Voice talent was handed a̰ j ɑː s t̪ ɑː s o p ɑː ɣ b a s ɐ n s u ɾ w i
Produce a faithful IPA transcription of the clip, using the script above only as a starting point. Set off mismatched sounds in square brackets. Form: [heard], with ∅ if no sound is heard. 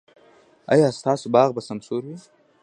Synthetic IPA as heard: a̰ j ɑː s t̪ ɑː s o [b] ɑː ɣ b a s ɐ [m] s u ɾ w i

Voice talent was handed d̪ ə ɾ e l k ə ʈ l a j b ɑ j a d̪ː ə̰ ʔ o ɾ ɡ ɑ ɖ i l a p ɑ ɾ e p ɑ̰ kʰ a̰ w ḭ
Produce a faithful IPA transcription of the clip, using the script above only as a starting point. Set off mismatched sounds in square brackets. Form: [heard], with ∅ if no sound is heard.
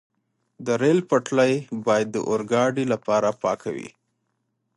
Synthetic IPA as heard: d̪ ə ɾ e l [p] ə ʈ l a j b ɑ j a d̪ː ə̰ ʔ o ɾ ɡ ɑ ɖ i l a p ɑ ɾ [a] p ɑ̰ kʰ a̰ w ḭ

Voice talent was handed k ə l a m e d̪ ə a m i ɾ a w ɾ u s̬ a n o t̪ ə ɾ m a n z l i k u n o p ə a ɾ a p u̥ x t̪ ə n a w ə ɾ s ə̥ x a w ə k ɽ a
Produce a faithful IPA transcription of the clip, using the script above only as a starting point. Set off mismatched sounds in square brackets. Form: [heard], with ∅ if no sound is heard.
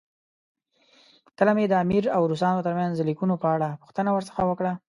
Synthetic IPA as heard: k ə l a m e d̪ ə a m i ɾ a w ɾ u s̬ [ɑ] n o t̪ ə ɾ m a n z l i k u n o p ə a [ɽ] a p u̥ x t̪ ə n a w ə ɾ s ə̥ x a w ə k ɽ a

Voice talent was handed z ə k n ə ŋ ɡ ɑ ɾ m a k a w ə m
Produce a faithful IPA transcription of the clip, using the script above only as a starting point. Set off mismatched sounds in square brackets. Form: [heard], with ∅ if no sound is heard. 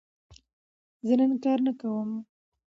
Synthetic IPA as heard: z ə [∅] n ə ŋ [k] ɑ ɾ [n] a k a w ə m

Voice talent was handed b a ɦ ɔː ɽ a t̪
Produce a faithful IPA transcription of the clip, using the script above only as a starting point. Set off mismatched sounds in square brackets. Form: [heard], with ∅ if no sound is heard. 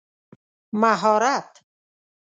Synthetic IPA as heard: [m] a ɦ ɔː [ɾ] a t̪

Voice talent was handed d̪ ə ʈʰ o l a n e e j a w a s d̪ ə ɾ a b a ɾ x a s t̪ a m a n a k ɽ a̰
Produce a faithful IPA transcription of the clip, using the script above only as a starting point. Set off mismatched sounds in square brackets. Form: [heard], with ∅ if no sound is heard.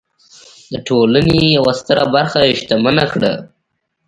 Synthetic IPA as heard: d̪ ə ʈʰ o l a n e e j a w a s [t̪] ə ɾ a b a ɾ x a [ʃ] t̪ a m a n a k ɽ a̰

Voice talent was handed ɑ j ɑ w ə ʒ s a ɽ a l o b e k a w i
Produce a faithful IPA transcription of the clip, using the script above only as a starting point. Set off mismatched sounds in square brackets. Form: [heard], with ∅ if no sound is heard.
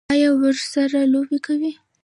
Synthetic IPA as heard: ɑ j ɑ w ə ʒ s a [ɾ] a l o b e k a w i

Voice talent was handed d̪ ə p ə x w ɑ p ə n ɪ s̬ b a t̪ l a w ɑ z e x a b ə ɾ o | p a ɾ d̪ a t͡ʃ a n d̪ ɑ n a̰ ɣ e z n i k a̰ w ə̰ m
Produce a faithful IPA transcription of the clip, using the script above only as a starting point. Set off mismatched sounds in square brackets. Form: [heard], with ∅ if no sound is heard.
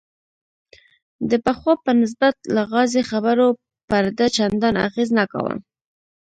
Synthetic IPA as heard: d̪ ə p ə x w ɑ p ə n ɪ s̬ b a t̪ l a [ɣ] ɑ z e x a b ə ɾ o | p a ɾ d̪ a t͡ʃ a n d̪ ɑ n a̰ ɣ e z n [a] k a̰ w ə̰ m

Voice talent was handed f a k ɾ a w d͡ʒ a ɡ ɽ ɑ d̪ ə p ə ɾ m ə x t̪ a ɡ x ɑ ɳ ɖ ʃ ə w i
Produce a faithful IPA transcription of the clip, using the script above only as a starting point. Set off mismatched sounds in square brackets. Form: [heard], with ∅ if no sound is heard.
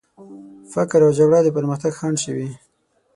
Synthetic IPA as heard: f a k ɾ a w d͡ʒ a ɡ ɽ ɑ d̪ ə p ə ɾ m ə x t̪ a ɡ x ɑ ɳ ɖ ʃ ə w i

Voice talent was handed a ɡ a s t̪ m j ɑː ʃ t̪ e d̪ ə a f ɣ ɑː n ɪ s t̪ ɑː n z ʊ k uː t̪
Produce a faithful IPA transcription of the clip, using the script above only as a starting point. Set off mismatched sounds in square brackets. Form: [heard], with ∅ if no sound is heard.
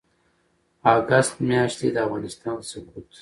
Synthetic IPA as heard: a ɡ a s t̪ m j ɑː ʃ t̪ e d̪ ə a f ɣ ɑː n ɪ s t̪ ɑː n [s] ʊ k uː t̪

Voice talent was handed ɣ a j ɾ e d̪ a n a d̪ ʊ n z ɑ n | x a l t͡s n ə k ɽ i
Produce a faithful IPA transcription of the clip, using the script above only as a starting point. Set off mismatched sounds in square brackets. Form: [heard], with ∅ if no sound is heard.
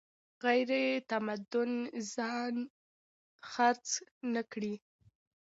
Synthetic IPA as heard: ɣ a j ɾ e [t̪] a [m] a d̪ ʊ n z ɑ n | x a [ɾ] t͡s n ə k ɽ i

